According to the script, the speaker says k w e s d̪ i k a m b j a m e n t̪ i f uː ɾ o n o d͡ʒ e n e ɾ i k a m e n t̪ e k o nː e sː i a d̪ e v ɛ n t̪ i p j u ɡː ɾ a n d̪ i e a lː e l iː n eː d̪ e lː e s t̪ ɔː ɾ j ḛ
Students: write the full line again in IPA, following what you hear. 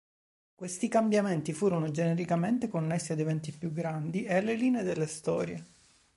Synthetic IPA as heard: k w e s t̪ i k a m b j a m e n t̪ i f uː ɾ o n o d͡ʒ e n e ɾ i k a m e n t̪ e k o nː e sː i a d̪ e v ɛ n t̪ i p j u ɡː ɾ a n d̪ i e a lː e l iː n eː d̪ e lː e s t̪ ɔː ɾ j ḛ